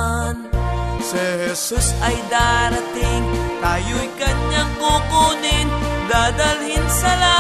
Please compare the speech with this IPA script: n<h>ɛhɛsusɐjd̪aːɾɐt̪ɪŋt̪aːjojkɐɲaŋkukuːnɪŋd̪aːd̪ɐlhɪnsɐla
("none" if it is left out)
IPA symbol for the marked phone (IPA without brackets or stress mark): s